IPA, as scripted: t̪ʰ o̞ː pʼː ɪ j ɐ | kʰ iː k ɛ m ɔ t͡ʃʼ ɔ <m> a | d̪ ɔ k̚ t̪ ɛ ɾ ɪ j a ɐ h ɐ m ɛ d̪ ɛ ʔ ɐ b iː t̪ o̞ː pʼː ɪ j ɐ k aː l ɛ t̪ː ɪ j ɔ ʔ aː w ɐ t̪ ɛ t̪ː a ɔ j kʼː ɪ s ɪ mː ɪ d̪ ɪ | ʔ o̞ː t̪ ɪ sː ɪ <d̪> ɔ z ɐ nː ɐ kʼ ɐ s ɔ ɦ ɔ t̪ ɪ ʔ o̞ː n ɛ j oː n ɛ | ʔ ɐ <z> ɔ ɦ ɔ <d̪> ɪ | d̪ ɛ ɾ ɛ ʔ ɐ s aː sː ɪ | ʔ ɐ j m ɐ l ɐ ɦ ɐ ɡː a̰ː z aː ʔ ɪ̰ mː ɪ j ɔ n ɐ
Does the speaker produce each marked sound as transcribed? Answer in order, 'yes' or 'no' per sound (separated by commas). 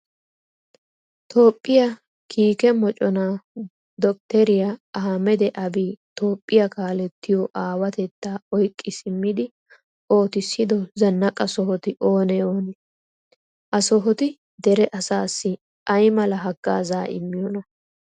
no, yes, no, no